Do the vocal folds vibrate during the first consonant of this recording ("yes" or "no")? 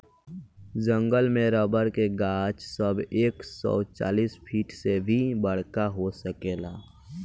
yes